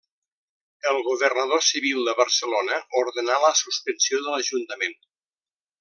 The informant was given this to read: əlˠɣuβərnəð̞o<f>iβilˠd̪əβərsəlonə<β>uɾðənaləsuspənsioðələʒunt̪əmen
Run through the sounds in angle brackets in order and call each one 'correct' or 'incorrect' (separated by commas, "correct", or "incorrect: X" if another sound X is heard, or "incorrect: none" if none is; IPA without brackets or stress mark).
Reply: incorrect: s, incorrect: none